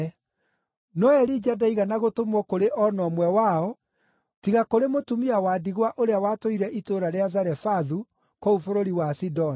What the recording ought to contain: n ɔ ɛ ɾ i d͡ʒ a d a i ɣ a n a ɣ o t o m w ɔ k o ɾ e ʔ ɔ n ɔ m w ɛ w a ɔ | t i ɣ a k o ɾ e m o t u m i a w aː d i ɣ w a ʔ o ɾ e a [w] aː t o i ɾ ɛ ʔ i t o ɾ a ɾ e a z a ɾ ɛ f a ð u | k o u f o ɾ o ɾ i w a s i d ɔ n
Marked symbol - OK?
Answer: yes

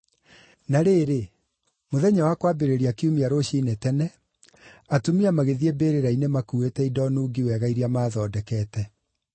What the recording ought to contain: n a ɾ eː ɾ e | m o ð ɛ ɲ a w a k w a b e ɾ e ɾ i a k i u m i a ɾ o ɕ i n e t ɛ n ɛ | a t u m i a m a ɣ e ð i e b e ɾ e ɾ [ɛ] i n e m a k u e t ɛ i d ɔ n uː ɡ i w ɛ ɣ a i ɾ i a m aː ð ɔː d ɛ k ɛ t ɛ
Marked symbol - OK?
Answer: no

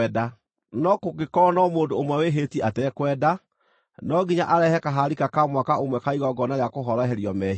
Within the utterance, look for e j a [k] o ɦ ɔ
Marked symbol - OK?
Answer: yes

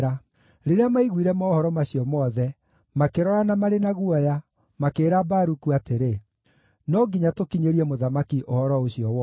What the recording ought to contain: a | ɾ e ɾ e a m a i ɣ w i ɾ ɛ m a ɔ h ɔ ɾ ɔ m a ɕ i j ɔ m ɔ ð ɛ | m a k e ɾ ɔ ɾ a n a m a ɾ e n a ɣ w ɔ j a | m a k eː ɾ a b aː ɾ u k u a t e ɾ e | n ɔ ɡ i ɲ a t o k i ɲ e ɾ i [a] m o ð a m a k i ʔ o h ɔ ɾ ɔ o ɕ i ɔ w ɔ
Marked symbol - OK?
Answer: no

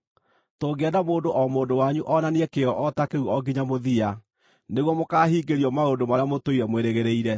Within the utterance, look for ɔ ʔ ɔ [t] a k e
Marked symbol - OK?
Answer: yes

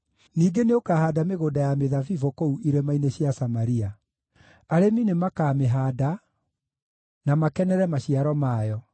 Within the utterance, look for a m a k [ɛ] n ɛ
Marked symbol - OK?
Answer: yes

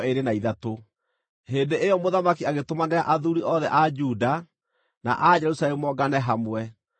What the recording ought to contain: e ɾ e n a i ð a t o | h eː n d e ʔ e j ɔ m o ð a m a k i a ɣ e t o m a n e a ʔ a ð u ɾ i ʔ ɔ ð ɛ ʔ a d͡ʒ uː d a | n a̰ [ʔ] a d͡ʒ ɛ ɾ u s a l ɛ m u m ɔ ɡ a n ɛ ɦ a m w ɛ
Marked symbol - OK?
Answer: yes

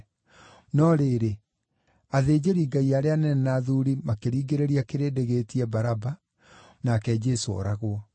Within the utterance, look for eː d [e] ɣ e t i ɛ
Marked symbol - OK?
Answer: yes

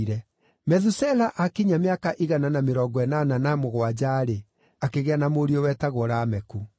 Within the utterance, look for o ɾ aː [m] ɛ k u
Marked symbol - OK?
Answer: yes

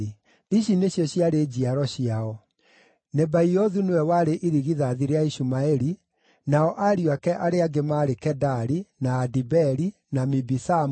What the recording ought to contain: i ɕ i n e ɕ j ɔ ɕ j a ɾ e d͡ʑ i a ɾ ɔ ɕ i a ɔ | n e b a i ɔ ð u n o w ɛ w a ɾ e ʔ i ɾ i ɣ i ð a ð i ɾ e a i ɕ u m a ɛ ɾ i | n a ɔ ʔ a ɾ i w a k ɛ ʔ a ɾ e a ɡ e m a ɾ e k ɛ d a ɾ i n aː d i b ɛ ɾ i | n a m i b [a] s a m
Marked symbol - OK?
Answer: no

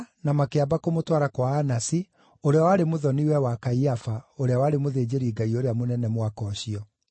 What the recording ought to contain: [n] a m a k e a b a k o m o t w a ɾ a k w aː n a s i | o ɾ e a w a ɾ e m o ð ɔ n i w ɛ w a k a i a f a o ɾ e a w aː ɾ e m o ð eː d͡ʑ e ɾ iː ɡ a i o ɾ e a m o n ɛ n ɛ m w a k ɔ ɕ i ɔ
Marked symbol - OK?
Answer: yes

